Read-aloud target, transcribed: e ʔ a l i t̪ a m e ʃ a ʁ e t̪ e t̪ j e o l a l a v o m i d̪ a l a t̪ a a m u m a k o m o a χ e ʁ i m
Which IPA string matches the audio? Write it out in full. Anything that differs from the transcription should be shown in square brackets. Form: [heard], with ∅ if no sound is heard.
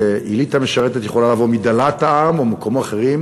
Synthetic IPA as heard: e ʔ [i] l i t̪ a m e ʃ a ʁ e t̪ e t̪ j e o l a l a v o m i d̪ a l a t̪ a a m [o] m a k o m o a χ e ʁ i m